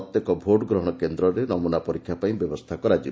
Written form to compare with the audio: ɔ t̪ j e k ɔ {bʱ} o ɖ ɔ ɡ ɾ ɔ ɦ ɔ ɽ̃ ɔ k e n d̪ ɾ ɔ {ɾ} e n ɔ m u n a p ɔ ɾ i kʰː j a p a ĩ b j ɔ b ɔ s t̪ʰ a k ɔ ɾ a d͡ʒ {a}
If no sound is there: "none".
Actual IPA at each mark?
bʱ, ɾ, i

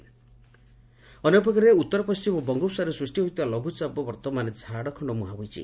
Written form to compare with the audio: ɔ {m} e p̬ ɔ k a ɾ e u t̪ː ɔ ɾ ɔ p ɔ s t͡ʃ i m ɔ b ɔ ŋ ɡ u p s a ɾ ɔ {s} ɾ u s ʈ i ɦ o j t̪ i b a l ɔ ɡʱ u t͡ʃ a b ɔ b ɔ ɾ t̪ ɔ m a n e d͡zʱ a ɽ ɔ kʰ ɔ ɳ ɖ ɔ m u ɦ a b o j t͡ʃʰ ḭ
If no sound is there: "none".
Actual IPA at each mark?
n, s

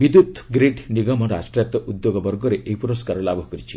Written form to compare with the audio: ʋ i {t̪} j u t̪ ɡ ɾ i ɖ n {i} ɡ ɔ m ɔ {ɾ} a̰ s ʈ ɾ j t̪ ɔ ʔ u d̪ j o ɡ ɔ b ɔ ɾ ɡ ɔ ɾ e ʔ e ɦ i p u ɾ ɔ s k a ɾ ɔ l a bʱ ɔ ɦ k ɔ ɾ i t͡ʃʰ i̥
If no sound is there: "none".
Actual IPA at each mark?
d̪, i, ɾ

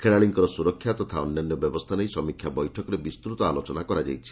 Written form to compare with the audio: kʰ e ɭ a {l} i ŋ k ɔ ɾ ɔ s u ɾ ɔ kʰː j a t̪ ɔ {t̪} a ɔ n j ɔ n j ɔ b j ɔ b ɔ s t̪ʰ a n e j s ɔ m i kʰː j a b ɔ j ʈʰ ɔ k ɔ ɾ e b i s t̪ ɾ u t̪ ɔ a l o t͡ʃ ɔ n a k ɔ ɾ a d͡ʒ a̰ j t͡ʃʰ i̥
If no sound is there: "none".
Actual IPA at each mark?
ɭ, t̪ʰ

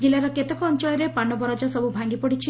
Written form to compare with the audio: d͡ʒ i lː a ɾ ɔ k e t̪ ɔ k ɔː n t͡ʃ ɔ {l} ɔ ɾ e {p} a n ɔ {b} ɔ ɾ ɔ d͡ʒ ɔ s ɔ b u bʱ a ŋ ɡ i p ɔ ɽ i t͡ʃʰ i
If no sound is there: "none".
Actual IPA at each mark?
ɭ, p, b

